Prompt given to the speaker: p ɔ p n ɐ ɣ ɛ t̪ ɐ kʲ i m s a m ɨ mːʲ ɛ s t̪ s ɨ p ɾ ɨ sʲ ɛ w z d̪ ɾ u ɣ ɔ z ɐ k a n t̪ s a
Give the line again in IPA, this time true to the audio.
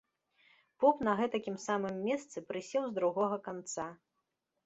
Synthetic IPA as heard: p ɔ p n ɐ ɣ ɛ t̪ ɐ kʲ i m s a m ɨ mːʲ ɛ s t̪ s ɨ p ɾ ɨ sʲ ɛ w z d̪ ɾ u ɣ ɔ ɣ ɐ k a n t̪ s a